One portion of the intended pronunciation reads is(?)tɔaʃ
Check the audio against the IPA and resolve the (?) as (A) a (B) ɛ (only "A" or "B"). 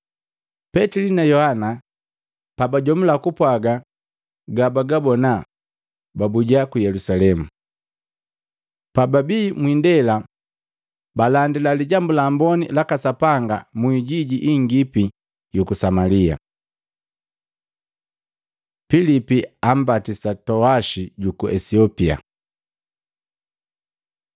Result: A